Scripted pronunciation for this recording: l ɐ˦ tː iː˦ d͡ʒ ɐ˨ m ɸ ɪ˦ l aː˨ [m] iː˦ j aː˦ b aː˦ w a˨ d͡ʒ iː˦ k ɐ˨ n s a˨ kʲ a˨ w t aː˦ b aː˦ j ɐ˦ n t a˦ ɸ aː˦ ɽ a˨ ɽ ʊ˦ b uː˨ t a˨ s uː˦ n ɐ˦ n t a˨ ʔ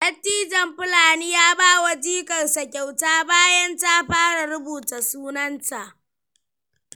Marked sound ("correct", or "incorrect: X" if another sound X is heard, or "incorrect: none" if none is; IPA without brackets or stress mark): incorrect: n